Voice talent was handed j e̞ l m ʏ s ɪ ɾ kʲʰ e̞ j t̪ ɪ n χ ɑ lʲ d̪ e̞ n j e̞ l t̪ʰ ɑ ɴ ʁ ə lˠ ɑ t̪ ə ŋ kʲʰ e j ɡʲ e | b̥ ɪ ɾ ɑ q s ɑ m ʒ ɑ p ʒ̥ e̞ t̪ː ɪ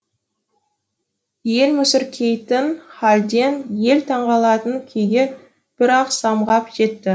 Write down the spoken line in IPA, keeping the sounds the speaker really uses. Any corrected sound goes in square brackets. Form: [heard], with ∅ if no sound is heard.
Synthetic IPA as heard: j e̞ l m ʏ s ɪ ɾ kʲʰ e̞ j t̪ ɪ n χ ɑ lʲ d̪ e̞ n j e̞ l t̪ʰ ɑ ɴ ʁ [ɑ] lˠ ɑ t̪ ə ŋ kʲʰ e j ɡʲ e | b̥ ɪ ɾ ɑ q s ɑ m [ʁ] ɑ p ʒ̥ e̞ t̪ː ɪ